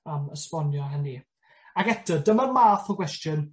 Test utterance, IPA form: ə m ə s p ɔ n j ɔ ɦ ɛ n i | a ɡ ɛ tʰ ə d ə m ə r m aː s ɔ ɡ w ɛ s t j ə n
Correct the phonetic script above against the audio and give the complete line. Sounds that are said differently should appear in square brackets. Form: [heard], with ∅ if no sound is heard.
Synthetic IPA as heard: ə m ə s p ɔ n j ɔ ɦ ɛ n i | a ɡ ɛ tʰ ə d ə m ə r m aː [θ] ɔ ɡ w ɛ s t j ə n

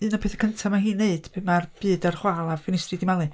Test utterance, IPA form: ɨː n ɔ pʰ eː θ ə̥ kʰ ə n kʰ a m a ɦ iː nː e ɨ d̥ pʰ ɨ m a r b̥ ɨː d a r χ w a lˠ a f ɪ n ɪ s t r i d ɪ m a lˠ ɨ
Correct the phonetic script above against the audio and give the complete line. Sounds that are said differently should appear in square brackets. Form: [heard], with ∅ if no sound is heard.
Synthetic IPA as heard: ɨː n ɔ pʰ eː θ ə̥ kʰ ə n [tʰ] a m a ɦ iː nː e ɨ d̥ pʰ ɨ m a r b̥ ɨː d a r χ w a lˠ a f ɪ n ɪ s t r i d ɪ m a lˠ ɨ

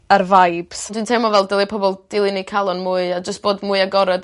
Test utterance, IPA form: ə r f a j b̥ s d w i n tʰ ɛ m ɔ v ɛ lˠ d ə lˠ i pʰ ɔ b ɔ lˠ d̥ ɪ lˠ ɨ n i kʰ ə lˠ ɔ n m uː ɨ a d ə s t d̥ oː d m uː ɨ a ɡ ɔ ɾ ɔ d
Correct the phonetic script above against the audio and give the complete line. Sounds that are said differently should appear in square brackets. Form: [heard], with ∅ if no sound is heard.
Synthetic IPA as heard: ə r [v] a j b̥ s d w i n tʰ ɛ m ɔ v ɛ lˠ d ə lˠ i pʰ ɔ b ɔ lˠ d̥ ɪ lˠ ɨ n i kʰ [a] lˠ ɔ n m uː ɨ a [d͡ʒ] ə s t [b̥] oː d m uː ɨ a ɡ ɔ ɾ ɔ d

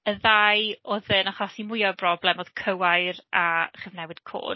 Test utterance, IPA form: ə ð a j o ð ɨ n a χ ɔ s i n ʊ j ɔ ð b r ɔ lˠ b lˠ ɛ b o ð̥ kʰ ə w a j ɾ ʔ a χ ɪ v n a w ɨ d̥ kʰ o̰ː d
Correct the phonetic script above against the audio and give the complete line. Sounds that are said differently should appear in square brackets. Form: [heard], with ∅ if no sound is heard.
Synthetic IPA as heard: ə ð a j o ð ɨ n a χ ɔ s i [m] ʊ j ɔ [∅] b r ɔ [∅] b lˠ ɛ [m] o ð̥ kʰ ə w a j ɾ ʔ a χ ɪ v n [ɛ] w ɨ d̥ kʰ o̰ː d

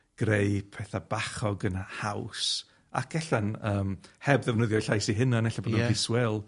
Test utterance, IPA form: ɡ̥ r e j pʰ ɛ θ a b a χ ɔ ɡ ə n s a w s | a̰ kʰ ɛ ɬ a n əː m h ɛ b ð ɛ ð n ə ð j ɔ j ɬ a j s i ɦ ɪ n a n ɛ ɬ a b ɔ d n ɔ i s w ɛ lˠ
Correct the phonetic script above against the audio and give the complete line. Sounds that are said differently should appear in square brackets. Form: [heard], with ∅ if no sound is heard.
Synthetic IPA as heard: ɡ̥ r e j pʰ ɛ θ a b a χ ɔ ɡ ə n [h] a w s | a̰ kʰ ɛ ɬ a n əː m h ɛ b ð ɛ [v] n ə ð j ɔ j ɬ a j s i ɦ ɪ n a n ɛ ɬ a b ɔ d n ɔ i s w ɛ lˠ

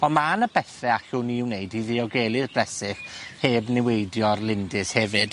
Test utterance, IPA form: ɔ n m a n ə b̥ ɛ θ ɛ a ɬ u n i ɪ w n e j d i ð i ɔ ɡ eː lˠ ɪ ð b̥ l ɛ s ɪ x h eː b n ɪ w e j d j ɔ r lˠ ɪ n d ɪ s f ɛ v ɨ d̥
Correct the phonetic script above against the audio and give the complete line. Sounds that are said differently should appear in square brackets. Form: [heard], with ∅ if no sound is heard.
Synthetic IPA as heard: ɔ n m a n ə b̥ ɛ θ ɛ a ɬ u n i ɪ w n e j d i ð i ɔ ɡ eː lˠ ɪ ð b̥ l ɛ s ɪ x h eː b n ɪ w e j d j ɔ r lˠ ɪ n d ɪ s [h] ɛ v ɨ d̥

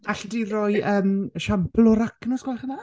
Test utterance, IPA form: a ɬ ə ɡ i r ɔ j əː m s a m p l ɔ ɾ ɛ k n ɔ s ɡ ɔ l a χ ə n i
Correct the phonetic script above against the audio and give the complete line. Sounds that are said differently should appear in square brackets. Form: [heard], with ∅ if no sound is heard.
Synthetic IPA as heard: a ɬ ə [d] i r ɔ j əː m [ʃ] a m p l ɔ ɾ [a] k n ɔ s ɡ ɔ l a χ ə n [a]

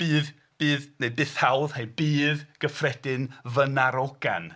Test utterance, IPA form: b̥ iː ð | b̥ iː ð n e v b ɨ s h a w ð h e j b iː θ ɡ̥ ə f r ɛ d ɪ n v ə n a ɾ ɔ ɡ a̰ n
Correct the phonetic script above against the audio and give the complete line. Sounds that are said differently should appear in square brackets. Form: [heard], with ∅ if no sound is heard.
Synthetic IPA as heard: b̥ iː ð | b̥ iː ð n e [∅] b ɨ [θ] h a w ð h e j b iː [ð] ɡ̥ ə f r ɛ d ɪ n v ə n a ɾ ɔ ɡ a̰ n

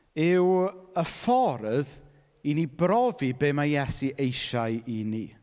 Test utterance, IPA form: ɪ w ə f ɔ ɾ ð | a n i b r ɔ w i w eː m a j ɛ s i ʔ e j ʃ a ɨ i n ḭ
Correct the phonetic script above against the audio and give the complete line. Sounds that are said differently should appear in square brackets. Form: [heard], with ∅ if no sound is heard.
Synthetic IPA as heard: ɪ w ə f ɔ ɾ ð | [i] n i b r ɔ [v] i [b] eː m a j ɛ s i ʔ e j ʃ a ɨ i n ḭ

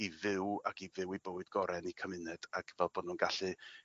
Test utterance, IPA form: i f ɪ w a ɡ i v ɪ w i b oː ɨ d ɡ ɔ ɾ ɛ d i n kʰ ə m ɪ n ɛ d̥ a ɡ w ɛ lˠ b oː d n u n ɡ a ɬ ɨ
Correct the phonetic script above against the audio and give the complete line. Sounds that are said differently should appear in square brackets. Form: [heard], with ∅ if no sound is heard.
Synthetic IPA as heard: i [v] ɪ w a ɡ i v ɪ w i b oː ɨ d ɡ ɔ ɾ ɛ [n] i [∅] kʰ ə m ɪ n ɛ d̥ a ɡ [v] ɛ lˠ b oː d n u n ɡ a ɬ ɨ

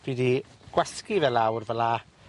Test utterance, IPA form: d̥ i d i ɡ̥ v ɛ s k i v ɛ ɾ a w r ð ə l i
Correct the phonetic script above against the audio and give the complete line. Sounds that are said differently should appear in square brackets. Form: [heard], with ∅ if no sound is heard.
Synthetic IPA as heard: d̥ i d i ɡ̥ [w] ɛ s k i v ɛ [l] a w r [v] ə l [a]

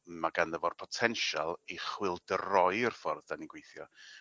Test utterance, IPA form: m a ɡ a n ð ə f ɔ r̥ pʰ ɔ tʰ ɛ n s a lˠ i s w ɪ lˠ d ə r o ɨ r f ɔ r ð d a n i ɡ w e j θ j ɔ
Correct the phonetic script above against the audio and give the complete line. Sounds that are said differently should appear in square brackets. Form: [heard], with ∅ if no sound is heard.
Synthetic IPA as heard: m a ɡ a n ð ə [v] ɔ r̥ pʰ ɔ tʰ ɛ n [ʃ] a lˠ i [χ] w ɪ lˠ d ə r [ɔ] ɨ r f ɔ r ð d a n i ɡ w e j θ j ɔ

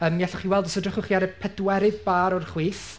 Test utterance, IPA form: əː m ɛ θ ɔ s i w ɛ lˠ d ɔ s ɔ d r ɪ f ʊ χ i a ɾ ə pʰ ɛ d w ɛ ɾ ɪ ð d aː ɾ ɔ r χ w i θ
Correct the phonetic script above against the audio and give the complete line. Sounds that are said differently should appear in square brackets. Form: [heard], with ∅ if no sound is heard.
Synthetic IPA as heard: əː m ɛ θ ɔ [χ] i w ɛ lˠ d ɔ s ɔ d r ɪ [χ] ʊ χ i a ɾ ə pʰ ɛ d w ɛ ɾ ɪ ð [b] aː ɾ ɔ r χ w [iː] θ

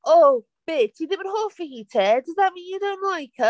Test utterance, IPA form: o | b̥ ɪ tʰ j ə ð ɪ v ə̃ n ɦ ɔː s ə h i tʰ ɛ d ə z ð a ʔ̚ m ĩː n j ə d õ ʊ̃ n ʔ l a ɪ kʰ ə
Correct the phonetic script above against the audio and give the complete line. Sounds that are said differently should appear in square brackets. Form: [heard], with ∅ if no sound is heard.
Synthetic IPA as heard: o | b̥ ɪ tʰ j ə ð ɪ v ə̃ n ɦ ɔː [f] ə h i tʰ ɛ d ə z ð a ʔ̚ m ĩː n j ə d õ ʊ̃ n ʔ l a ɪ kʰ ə

